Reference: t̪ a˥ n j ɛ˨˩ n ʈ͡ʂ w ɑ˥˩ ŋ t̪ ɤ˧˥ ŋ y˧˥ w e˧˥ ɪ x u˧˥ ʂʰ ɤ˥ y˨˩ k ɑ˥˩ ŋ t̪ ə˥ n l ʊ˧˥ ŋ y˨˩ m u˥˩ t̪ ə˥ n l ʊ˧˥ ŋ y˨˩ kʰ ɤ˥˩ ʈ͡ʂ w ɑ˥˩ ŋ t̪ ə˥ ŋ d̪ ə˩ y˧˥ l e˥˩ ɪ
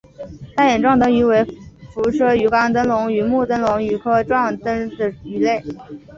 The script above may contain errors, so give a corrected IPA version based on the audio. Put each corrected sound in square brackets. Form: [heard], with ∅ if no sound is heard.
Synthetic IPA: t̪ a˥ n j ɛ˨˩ n ʈ͡ʂ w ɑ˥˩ ŋ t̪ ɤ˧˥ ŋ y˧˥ w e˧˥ ɪ [f] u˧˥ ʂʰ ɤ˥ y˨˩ k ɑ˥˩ ŋ t̪ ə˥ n l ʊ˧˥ ŋ y˨˩ m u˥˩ t̪ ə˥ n l ʊ˧˥ ŋ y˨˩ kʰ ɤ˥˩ ʈ͡ʂ w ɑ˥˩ ŋ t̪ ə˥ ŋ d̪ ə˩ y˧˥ l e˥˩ ɪ